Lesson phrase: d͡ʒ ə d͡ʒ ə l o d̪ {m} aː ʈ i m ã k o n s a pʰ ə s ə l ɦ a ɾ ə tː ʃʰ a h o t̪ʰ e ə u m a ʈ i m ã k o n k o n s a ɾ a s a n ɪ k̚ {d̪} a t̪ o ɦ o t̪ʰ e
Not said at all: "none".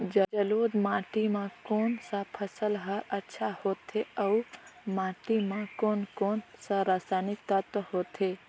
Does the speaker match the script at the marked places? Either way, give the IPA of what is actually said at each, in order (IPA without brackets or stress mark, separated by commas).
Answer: m, t̪